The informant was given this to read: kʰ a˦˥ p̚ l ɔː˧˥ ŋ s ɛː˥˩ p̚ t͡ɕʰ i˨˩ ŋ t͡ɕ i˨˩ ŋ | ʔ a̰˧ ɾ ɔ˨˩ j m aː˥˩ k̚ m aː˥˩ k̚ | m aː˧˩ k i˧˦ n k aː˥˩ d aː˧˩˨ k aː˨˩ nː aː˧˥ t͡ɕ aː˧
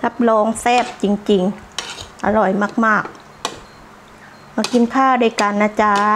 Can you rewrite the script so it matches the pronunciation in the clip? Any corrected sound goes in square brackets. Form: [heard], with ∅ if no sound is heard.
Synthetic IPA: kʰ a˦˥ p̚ l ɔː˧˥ ŋ s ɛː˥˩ p̚ [t͡ɕ] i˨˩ ŋ t͡ɕ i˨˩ ŋ | ʔ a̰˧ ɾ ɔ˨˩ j m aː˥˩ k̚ m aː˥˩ k̚ | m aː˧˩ k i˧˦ n [kʰ] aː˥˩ d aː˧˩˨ k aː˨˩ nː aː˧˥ t͡ɕ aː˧